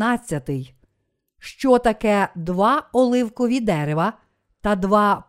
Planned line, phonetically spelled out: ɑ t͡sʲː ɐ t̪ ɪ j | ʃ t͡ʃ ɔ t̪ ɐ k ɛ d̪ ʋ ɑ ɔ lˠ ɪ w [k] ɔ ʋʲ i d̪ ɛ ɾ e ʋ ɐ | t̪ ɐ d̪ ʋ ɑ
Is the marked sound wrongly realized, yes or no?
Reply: no